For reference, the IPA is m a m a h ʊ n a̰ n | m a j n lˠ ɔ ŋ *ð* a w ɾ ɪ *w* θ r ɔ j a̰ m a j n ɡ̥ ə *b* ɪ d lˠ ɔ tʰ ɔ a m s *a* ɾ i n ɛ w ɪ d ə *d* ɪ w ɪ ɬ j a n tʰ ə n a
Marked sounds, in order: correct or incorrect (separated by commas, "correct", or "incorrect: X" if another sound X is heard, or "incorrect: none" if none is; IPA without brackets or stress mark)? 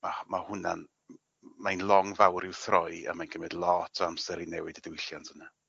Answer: incorrect: v, correct, incorrect: m, incorrect: ɛ, correct